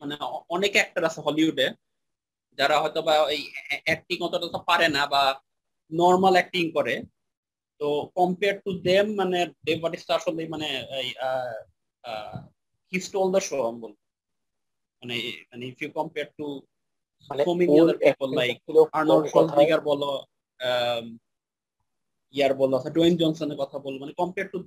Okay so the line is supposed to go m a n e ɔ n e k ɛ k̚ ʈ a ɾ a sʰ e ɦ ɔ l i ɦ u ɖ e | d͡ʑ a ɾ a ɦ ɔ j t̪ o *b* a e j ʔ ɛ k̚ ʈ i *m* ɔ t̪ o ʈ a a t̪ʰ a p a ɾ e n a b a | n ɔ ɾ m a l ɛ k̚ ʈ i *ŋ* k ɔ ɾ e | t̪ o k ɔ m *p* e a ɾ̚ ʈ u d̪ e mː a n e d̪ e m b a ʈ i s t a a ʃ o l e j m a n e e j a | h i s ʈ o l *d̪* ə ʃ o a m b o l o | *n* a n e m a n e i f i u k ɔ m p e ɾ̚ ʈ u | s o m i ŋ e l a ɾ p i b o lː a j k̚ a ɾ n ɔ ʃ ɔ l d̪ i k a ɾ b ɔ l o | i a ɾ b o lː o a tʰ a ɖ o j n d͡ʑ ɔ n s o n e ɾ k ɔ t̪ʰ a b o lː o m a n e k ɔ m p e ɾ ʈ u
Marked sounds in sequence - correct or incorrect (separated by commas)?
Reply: correct, incorrect, correct, correct, correct, incorrect